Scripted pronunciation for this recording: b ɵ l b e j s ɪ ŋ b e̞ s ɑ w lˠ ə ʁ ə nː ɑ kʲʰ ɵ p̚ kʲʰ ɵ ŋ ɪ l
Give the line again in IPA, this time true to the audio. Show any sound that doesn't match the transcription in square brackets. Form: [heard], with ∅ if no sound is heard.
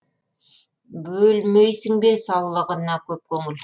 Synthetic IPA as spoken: b ɵ l [m] e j s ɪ ŋ b e̞ s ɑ w lˠ ə ʁ ə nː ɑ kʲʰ ɵ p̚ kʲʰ ɵ ŋ ɪ l

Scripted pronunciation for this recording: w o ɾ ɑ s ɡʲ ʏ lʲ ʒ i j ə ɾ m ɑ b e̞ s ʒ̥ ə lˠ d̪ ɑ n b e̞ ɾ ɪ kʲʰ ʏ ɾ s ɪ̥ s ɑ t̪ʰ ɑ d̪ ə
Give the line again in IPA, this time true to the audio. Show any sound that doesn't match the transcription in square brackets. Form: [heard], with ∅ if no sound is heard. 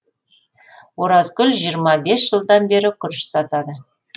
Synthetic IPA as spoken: w o ɾ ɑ [z] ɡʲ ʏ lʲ ʒ i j ə ɾ m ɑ b e̞ s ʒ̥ ə lˠ d̪ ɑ n b e̞ ɾ ɪ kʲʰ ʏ ɾ [ʃ] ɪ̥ s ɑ [t̪] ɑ d̪ ə

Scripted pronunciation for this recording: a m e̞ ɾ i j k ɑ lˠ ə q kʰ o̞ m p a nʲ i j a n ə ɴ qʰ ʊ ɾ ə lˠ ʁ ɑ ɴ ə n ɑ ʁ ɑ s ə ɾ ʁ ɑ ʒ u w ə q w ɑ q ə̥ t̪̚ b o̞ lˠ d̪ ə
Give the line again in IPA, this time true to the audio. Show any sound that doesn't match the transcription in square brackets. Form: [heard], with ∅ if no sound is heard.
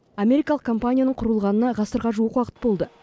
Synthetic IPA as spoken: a m e̞ ɾ i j k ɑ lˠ ə q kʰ o̞ m p a nʲ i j a n ə ɴ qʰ ʊ ɾ ə lˠ ʁ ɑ [n] ə n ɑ ʁ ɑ s ə ɾ ʁ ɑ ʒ u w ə q w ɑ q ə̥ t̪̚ b o̞ lˠ d̪ ə

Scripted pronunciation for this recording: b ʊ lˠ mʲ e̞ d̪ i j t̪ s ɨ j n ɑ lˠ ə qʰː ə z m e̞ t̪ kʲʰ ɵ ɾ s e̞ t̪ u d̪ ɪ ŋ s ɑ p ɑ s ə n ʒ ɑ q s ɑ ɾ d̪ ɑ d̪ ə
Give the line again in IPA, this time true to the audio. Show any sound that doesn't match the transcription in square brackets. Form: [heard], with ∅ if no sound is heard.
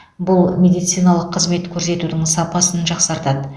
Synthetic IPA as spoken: b ʊ lˠ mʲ e̞ d̪ i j t̪ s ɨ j n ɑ lˠ ə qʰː ə z m e̞ t̪ kʲʰ ɵ ɾ s e̞ t̪ u d̪ ɪ ŋ s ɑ p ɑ s ə n ʒ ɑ q s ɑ ɾ [t̪] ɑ d̪ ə

